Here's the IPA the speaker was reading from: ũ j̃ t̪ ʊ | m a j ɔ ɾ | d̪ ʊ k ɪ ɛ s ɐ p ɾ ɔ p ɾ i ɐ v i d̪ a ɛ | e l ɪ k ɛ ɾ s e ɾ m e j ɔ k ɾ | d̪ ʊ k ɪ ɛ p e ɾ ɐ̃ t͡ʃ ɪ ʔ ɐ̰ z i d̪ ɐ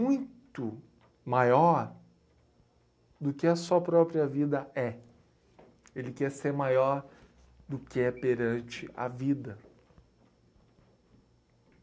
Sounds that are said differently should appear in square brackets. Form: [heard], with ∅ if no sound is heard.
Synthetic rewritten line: ũ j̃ t̪ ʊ | m a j ɔ ɾ | d̪ ʊ k ɪ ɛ s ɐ p ɾ ɔ p ɾ i ɐ v i d̪ [ɐ] ɛ | e l ɪ k ɛ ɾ s e ɾ m [a] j ɔ [∅] ɾ | d̪ ʊ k ɪ ɛ p e ɾ ɐ̃ t͡ʃ ɪ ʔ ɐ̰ [v] i d̪ ɐ

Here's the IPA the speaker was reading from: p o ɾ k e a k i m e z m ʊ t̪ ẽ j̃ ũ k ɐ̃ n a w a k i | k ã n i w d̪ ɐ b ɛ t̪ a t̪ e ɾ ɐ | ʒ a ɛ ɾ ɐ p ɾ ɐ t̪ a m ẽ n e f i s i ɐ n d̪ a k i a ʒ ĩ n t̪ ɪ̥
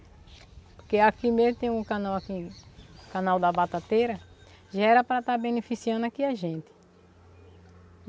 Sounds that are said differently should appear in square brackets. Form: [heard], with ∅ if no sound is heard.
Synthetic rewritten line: p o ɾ k e a k i m e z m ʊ t̪ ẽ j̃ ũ k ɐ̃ n a w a k i | k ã n [a] w d̪ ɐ b [a] t̪ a t̪ e ɾ ɐ | ʒ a ɛ ɾ ɐ p ɾ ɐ t̪ a [b] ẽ n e f i s i [ɐ̃] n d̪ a k i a ʒ [ẽ] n t̪ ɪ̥

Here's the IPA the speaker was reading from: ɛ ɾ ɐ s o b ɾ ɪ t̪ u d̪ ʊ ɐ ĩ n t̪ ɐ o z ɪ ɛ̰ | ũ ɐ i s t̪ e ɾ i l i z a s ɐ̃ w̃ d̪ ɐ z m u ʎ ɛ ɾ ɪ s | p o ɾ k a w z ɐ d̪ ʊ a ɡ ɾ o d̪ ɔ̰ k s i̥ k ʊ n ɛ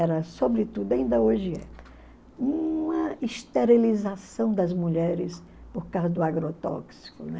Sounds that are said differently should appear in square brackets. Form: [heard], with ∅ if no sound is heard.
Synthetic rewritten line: ɛ ɾ ɐ s o b ɾ ɪ t̪ u d̪ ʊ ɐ ĩ n [d̪] ɐ o [ʒ] ɪ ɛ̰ | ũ ɐ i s t̪ e ɾ i l i z a s ɐ̃ w̃ d̪ ɐ z m u ʎ ɛ ɾ ɪ s | p o ɾ k a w z ɐ d̪ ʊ a ɡ ɾ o [t̪] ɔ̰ k s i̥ k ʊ n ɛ

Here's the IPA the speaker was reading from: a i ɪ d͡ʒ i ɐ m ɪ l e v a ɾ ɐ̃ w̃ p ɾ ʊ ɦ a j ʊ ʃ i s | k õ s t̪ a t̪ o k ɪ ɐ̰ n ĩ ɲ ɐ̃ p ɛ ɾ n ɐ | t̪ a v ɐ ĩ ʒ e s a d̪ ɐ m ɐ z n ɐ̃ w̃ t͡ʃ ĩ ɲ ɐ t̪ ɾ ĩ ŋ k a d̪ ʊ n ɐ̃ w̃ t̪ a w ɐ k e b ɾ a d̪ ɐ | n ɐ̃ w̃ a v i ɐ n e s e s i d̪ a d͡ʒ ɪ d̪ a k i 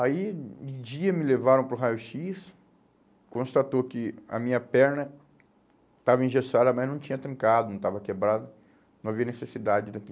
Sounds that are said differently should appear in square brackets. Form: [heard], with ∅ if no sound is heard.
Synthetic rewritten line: a i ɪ d͡ʒ i ɐ m ɪ l e v a ɾ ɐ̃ w̃ p ɾ ʊ ɦ a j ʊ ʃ i s | k õ s t̪ a t̪ o k ɪ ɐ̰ [m] ĩ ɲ [ɐ] p ɛ ɾ n ɐ | t̪ a v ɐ ĩ ʒ e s a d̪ ɐ m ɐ z n ɐ̃ w̃ t͡ʃ ĩ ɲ ɐ t̪ ɾ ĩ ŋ k a d̪ ʊ n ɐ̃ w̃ t̪ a [v] ɐ k e b ɾ a d̪ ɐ | n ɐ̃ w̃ a v i ɐ n e s e s i d̪ a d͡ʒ ɪ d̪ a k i

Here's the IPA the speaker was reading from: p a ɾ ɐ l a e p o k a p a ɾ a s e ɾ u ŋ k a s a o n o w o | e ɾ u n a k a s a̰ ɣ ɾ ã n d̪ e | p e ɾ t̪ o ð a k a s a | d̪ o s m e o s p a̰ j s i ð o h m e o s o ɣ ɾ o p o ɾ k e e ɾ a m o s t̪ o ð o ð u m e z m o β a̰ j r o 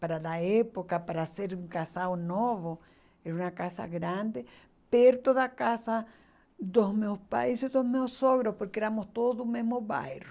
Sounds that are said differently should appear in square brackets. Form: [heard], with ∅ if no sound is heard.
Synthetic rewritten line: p a ɾ [a] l a e p o k a p a ɾ a s e ɾ u ŋ k a s a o n o [β] o | e ɾ u n a k a s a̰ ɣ ɾ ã n d̪ e | p e ɾ t̪ o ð a k a s a | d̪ o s m e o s p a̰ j s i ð o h m e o s o ɣ ɾ o p o ɾ k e e ɾ a m o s t̪ o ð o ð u m e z m o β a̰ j r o

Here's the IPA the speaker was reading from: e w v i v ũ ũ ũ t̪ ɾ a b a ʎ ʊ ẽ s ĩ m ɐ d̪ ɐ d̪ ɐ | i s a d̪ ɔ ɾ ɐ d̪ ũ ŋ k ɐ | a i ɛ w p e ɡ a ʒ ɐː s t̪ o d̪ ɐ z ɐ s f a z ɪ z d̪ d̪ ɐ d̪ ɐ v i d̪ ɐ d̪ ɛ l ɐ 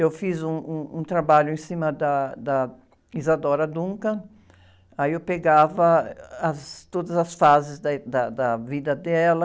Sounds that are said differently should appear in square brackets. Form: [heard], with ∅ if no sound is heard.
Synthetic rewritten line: e w [f] i [z] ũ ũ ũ t̪ ɾ a b a ʎ ʊ ẽ s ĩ m ɐ d̪ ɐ d̪ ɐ | i [z] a d̪ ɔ ɾ ɐ d̪ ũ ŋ k ɐ | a i [e] w p e ɡ a [v] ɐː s t̪ o d̪ ɐ z ɐ s f a z ɪ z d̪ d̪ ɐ d̪ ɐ v i d̪ ɐ d̪ ɛ l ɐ

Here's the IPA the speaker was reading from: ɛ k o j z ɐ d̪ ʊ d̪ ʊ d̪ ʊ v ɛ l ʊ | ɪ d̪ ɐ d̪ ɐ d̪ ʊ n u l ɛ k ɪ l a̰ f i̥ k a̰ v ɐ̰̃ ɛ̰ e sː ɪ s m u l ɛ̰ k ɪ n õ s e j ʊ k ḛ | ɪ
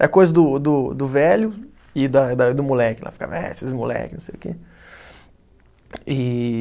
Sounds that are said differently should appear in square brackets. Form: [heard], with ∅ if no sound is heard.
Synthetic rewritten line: ɛ k o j z ɐ d̪ ʊ d̪ ʊ d̪ ʊ v ɛ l ʊ | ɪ d̪ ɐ d̪ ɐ d̪ ʊ [m] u l ɛ k ɪ l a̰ f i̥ k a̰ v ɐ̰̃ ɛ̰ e [s] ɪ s m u l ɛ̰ k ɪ n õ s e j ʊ k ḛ | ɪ

